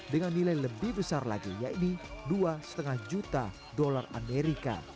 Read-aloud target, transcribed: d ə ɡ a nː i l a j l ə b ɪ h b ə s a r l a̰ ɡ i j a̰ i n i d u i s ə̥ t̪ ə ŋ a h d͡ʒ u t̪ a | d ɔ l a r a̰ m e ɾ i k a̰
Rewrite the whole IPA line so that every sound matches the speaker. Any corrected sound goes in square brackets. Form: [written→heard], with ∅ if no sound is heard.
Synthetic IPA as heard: d ə [ɡ→ŋ] a nː i l a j l ə b ɪ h b ə s a r l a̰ ɡ i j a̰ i n i d u [i→a] s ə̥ t̪ ə ŋ a h d͡ʒ u t̪ a | d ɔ l a r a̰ m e ɾ i k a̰